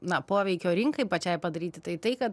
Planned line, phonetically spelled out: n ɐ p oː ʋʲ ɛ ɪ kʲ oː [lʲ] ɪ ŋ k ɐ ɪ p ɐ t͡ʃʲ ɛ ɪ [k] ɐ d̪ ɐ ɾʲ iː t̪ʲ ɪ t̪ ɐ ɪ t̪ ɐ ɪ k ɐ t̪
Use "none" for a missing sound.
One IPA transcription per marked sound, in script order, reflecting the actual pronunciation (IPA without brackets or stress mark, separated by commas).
ɾʲ, p